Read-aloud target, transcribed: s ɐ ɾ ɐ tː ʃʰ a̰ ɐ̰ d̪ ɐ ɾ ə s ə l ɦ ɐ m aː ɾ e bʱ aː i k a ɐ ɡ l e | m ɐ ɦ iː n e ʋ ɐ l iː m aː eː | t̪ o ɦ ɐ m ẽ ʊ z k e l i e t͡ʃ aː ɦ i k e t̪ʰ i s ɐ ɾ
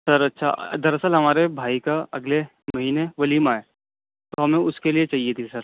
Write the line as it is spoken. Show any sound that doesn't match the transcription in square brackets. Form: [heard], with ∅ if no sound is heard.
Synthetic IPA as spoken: s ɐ ɾ ɐ tː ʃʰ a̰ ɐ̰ d̪ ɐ ɾ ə s ə l ɦ ɐ m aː ɾ e bʱ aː i k a ɐ ɡ l e | m ɐ ɦ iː n e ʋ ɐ l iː m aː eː | t̪ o ɦ ɐ m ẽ ʊ [s] k e l i e t͡ʃ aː ɦ i [∅] e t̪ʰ i s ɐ ɾ